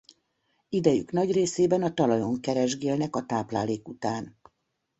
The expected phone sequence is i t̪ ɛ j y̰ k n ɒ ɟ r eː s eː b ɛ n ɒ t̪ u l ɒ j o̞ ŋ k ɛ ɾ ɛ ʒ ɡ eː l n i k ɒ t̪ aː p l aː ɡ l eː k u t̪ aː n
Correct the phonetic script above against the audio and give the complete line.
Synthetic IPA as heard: i d̪ ɛ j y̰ k n ɒ ɟ r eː s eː b ɛ n ɒ t̪ ɒ l ɒ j o̞ ŋ k ɛ ɾ ɛ ʒ ɡ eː l n ɛ k ɒ t̪ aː p l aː l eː k u t̪ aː n